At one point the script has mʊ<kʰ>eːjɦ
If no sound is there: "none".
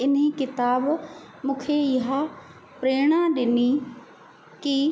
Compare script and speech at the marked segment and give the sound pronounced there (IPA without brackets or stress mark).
kʰ